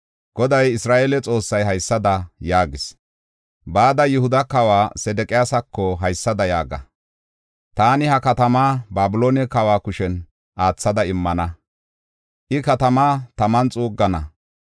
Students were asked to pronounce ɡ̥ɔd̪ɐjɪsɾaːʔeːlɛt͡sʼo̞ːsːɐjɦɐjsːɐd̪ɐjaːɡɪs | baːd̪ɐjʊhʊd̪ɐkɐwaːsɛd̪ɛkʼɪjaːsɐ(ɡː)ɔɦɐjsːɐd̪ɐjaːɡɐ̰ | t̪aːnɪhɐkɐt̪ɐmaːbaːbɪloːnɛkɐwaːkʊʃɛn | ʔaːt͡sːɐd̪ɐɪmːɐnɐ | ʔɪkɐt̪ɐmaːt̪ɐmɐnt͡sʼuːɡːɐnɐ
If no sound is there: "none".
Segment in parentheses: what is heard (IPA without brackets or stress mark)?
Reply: kː